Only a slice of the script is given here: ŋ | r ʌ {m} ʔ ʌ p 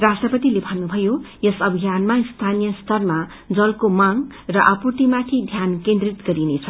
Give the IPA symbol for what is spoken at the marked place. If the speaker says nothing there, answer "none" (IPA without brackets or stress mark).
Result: none